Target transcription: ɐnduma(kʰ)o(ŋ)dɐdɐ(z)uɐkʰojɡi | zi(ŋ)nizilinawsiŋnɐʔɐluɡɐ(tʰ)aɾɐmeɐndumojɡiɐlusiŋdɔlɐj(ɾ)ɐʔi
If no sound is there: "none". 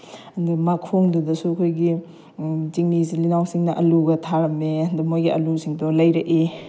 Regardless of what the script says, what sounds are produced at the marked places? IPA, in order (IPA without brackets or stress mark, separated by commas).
kʰ, ŋ, s, ŋ, tʰ, ɾ